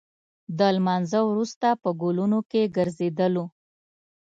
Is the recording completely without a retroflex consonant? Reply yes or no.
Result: yes